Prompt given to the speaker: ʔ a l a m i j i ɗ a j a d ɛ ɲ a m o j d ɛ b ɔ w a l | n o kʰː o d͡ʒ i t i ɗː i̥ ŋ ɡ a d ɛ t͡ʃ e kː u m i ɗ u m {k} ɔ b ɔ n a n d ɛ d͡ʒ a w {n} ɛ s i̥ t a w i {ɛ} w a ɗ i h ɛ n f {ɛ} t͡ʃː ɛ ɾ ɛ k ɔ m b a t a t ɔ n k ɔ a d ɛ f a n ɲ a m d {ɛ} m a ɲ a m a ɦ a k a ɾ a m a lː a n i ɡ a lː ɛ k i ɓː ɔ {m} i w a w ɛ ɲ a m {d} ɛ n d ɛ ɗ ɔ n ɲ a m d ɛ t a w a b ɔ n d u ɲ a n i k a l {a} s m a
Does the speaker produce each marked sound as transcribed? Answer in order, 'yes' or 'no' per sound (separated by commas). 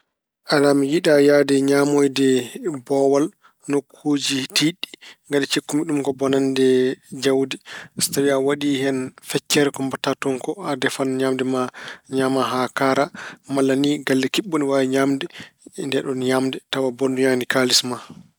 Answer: yes, no, no, yes, yes, no, yes, no